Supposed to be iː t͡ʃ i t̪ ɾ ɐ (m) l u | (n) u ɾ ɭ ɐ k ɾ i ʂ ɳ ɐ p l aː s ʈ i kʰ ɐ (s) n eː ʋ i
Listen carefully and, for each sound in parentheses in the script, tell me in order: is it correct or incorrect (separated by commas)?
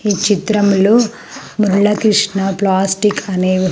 correct, incorrect, incorrect